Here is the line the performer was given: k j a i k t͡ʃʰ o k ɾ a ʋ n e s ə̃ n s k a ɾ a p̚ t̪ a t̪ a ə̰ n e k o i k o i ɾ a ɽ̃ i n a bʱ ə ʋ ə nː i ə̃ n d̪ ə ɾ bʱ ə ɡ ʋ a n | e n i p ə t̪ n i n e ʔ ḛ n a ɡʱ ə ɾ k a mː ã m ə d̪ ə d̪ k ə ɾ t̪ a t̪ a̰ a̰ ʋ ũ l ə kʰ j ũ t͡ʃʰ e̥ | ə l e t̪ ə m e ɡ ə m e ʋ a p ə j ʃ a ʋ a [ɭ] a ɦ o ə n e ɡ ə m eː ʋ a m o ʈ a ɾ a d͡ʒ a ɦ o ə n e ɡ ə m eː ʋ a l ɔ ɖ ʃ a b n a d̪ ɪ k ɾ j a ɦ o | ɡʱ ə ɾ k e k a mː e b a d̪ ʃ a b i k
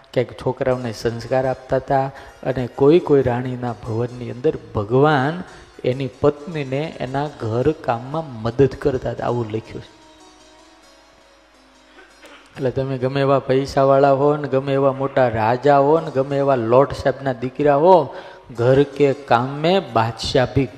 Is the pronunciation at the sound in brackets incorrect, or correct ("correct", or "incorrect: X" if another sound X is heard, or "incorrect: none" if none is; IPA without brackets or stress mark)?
correct